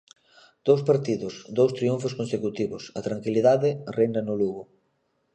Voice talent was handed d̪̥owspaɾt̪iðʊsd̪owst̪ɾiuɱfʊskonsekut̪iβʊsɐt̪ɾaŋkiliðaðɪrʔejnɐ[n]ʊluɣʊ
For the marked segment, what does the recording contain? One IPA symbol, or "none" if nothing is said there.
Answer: n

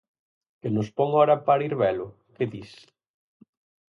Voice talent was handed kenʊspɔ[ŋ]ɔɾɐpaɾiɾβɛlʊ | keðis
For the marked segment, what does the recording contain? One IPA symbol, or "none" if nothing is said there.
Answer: ŋ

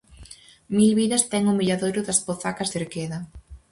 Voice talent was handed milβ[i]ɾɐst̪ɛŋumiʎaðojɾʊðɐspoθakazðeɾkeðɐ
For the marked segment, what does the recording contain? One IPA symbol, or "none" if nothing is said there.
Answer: i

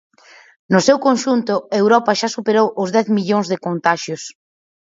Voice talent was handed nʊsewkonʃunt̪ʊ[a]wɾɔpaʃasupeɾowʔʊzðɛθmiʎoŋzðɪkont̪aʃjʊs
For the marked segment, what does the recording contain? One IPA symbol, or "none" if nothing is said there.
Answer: e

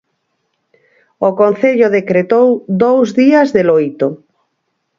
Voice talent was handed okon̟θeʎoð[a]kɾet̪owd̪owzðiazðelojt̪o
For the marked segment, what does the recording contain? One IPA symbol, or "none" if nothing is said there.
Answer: e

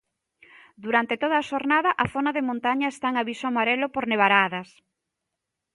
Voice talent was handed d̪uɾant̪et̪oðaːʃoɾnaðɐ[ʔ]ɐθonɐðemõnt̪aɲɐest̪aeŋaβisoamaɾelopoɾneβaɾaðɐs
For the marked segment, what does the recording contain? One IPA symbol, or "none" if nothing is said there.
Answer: ʔ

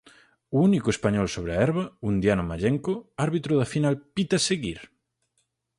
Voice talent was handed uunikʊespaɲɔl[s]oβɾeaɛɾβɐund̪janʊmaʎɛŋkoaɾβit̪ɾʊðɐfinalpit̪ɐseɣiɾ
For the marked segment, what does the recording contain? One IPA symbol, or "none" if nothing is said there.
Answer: s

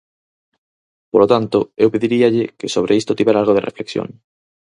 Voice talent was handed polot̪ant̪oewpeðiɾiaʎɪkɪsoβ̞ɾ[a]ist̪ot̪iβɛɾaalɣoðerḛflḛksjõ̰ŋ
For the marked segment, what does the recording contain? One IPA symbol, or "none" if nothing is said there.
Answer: e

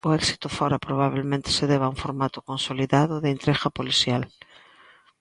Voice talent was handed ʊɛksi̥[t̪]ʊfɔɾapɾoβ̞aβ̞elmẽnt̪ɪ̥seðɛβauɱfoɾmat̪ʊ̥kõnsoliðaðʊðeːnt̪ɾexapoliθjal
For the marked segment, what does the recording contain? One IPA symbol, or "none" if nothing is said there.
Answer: t̪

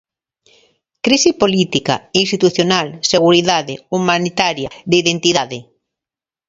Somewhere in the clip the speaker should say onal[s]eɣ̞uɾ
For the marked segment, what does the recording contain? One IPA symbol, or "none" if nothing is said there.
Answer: s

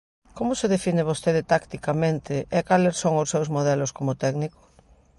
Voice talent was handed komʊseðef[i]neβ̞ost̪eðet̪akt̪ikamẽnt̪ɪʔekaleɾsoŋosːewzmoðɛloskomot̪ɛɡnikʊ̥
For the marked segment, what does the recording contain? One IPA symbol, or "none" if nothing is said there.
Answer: i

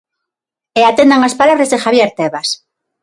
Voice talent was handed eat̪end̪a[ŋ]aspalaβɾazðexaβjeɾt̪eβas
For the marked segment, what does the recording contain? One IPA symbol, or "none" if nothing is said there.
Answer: ŋ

